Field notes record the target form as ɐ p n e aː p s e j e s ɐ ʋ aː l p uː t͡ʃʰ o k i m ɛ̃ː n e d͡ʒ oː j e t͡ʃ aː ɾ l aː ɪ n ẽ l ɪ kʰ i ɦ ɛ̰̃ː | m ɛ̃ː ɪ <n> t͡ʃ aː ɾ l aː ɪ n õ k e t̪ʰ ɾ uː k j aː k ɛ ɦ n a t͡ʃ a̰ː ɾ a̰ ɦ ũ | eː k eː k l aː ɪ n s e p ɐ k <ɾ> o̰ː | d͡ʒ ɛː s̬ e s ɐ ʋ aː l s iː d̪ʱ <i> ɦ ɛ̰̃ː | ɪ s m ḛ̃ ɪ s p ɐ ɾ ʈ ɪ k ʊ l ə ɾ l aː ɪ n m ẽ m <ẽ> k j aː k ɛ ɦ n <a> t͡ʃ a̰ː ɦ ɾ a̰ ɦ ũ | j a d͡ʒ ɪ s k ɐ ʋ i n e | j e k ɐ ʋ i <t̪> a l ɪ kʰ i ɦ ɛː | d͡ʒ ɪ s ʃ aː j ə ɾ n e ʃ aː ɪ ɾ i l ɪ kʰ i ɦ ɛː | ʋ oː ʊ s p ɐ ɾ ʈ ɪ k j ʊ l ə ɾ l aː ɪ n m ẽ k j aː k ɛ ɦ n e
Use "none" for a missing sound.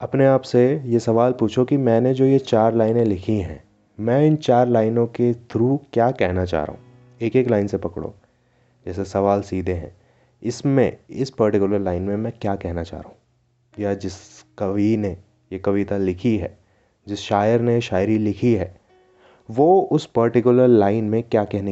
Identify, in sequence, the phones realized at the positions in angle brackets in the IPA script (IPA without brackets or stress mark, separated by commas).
n, ɽ, e, ɛ̃, a, t̪